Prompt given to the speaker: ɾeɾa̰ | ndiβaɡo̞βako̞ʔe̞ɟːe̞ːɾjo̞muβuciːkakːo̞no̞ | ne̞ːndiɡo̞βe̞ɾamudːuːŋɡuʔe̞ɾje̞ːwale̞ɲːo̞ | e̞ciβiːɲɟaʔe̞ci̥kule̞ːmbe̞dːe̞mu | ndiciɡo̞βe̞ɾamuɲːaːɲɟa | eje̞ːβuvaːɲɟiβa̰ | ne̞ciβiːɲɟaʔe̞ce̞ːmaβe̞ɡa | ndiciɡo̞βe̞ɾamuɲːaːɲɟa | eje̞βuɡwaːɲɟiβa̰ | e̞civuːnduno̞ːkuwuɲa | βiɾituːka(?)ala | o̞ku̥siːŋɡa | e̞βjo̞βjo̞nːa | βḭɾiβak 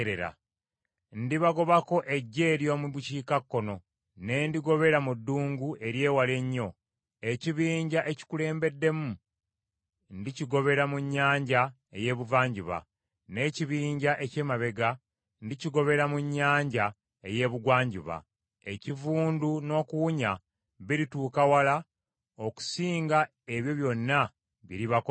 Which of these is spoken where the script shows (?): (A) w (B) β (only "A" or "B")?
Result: A